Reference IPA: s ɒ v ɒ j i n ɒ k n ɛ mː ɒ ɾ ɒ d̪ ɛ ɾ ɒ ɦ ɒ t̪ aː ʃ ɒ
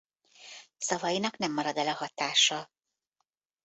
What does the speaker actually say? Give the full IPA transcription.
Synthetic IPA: s ɒ v ɒ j i n ɒ k n ɛ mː ɒ ɾ ɒ d̪ ɛ l ɒ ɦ ɒ t̪ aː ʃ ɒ